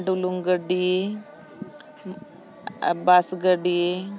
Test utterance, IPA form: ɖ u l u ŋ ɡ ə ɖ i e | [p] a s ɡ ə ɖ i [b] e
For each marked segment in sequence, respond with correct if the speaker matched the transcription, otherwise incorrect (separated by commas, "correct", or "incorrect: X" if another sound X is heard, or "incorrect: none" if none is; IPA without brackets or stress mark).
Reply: incorrect: b, incorrect: none